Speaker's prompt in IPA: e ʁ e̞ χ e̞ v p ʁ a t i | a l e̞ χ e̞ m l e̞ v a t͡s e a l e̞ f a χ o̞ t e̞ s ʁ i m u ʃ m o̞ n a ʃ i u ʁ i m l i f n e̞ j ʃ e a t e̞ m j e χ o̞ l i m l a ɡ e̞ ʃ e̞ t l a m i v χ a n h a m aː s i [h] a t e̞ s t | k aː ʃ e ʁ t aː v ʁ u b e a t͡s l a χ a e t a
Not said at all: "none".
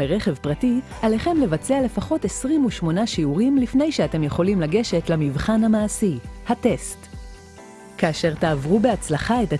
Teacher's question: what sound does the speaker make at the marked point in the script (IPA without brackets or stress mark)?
h